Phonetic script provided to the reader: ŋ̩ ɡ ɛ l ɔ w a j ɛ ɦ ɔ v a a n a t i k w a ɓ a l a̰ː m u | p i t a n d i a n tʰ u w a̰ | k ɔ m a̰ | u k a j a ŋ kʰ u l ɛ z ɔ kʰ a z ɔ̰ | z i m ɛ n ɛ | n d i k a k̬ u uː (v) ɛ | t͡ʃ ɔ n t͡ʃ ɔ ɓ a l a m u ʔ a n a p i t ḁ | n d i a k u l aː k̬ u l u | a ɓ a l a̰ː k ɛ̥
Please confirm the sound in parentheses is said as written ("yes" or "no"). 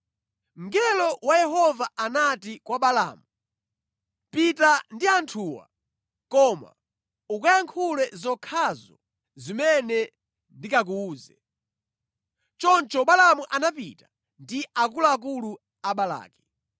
no